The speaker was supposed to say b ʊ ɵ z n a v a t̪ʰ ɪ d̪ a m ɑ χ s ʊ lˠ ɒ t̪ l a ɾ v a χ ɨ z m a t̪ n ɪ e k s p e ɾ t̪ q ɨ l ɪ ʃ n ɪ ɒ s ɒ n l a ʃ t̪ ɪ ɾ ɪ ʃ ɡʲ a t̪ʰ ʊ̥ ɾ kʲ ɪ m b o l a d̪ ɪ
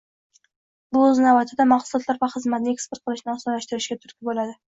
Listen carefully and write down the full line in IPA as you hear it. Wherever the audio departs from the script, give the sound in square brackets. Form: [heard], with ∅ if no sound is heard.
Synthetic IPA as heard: b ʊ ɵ z n a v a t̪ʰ ɪ d̪ a m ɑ χ s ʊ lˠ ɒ t̪ l a ɾ v a χ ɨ z m a t̪ n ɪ e k s p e ɾ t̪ q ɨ l ɪ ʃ n ɪ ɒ s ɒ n l a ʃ t̪ ɪ ɾ ɪ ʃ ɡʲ a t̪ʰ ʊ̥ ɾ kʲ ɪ [∅] b o l a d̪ ɪ